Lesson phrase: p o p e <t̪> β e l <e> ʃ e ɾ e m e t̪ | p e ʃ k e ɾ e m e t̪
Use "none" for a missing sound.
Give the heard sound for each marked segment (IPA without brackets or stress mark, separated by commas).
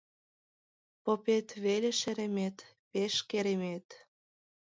t̪, e